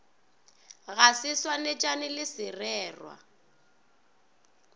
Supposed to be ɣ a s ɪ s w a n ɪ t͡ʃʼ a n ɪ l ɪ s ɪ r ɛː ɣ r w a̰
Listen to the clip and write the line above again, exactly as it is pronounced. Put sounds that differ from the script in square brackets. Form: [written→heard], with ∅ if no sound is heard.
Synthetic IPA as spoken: ɣ a s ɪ s w a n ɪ t͡ʃʼ a n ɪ l ɪ s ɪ r ɛː [ɣ→∅] r w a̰